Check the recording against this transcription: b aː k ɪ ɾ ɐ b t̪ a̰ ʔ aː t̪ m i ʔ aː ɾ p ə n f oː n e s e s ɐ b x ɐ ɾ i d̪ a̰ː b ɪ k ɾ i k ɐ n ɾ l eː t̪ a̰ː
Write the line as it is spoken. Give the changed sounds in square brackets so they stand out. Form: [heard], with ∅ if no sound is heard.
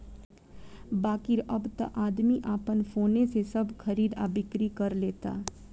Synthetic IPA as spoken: b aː k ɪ ɾ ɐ b t̪ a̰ ʔ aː [d̪] m i ʔ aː [∅] p ə n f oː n e s e s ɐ b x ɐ ɾ [iː] d̪ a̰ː b ɪ k ɾ i k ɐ [∅] ɾ l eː t̪ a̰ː